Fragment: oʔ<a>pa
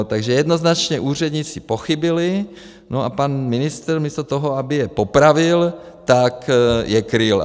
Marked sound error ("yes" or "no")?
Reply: no